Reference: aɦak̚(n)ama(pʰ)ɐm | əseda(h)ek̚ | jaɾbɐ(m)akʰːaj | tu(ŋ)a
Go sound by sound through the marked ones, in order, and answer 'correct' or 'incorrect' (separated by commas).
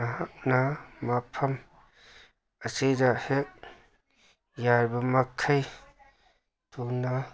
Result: correct, correct, correct, correct, incorrect